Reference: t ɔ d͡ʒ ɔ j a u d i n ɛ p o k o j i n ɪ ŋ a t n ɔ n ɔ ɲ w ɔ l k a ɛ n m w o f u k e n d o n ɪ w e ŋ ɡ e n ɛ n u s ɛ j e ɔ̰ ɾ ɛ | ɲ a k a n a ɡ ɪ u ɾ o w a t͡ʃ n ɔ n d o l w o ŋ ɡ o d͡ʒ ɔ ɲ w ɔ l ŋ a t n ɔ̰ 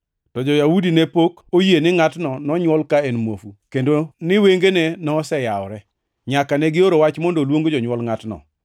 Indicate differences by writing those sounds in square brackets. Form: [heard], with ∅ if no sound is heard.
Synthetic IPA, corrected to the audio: t ɔ d͡ʒ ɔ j a u d i n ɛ p o k o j [e] n ɪ ŋ a t n ɔ n ɔ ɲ w ɔ l k a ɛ n m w o f u k e n d o n ɪ w e ŋ ɡ e n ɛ n [ɔ] s ɛ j [a] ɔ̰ ɾ ɛ | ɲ a k a n [ɛ] ɡ ɪ [o] ɾ o w a t͡ʃ [m] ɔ n d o l w o ŋ ɡ o d͡ʒ ɔ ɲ w ɔ l ŋ a t n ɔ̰